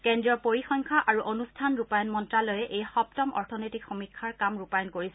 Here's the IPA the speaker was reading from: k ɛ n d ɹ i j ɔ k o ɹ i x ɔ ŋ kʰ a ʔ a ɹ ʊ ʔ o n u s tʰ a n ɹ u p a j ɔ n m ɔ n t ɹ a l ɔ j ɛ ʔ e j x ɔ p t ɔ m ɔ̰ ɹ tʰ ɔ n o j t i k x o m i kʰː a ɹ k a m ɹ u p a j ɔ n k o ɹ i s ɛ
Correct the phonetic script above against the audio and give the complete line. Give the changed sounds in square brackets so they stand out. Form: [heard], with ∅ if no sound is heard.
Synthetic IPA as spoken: k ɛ n d ɹ i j ɔ [p] o ɹ i x ɔ ŋ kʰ a ʔ a ɹ [u] ʔ o n u s tʰ a n ɹ u p a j ɔ n m ɔ n t ɹ a l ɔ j ɛ ʔ e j x ɔ p t ɔ m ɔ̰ ɹ tʰ ɔ n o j t i k x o m i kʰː a ɹ k a m ɹ u p a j ɔ n k o ɹ i s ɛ